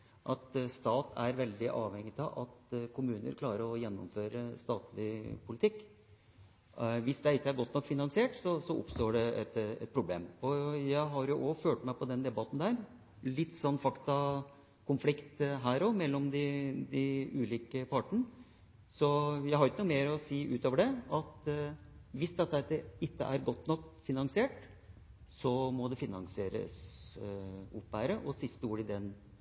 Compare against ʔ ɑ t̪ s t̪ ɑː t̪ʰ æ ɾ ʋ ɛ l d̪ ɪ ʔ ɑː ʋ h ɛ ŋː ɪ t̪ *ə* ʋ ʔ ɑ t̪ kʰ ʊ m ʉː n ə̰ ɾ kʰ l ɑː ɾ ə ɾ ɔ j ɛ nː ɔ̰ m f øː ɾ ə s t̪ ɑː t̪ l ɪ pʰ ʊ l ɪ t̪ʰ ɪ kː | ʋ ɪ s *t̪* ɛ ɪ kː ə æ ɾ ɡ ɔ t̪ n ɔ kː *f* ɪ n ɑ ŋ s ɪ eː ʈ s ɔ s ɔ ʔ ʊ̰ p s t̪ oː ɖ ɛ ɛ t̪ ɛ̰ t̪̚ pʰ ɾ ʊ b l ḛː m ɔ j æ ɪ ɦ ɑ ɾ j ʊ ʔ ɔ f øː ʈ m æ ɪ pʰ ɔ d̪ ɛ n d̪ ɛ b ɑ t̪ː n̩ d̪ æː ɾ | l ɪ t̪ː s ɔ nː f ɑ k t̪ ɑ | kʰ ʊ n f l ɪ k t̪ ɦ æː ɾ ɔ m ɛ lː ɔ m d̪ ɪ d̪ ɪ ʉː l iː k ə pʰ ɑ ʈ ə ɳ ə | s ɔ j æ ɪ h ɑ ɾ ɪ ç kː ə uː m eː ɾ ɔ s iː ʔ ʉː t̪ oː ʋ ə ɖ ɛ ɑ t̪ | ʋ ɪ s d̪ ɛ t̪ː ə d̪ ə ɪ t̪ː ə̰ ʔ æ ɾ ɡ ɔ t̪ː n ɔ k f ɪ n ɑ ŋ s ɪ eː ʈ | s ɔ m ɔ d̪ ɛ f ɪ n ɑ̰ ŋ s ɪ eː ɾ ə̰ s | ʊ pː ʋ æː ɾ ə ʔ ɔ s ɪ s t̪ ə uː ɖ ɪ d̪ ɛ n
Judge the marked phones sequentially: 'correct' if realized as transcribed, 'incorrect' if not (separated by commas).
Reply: incorrect, incorrect, correct